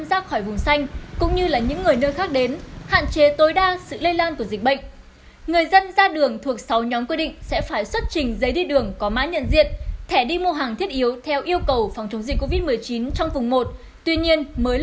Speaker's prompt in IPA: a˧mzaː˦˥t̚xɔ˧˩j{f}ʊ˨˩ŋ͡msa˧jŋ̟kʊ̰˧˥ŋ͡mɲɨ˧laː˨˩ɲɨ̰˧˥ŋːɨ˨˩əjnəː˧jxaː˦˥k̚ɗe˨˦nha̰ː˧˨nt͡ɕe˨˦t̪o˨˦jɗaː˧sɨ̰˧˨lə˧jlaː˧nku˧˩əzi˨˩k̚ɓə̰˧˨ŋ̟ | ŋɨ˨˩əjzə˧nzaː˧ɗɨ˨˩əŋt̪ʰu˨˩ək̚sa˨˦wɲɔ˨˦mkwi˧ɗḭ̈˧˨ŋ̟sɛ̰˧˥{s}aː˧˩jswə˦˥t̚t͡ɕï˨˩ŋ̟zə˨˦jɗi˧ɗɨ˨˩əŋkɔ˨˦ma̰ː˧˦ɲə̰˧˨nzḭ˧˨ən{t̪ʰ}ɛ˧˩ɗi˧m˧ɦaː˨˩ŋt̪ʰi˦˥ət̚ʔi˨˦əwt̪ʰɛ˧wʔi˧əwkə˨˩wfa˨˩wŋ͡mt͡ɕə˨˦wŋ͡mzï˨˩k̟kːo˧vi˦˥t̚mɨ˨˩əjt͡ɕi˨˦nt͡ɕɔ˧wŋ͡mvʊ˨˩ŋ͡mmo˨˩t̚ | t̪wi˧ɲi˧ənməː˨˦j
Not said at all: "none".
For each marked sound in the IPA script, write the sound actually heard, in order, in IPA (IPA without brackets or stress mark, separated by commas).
v, f, t̪ʰ